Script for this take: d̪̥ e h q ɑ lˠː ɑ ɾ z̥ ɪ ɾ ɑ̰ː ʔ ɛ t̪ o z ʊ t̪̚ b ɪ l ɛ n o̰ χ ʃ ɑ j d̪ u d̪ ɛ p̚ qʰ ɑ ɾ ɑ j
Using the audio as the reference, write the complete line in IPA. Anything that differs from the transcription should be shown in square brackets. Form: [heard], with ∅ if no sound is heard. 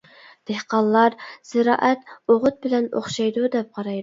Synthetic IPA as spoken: d̪̥ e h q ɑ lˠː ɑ ɾ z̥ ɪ ɾ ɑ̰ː ʔ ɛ t̪ o [ʁ] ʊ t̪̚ b ɪ l ɛ n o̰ χ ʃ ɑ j d̪ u d̪ ɛ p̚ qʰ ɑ ɾ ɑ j